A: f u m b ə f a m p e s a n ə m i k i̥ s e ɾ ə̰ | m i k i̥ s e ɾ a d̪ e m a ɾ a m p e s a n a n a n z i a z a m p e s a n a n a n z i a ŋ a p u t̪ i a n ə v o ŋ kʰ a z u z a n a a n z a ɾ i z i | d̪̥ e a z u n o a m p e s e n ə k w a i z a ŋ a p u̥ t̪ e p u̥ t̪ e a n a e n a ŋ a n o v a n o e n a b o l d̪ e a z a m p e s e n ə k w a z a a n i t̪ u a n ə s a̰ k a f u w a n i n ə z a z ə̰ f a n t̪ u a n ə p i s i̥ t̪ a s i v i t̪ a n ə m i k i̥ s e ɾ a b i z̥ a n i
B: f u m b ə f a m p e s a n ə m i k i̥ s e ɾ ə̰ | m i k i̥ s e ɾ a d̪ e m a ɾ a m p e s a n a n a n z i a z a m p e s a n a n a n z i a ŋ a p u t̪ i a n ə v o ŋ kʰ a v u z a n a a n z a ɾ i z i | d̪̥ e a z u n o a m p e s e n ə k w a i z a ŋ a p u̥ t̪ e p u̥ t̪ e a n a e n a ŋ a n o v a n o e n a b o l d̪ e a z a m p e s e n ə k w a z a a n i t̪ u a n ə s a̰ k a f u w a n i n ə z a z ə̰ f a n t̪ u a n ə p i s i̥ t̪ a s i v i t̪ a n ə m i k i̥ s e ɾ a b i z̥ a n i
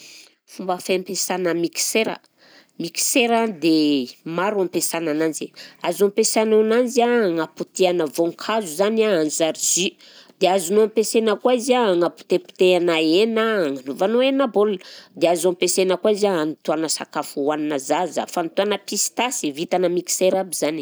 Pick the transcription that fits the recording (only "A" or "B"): A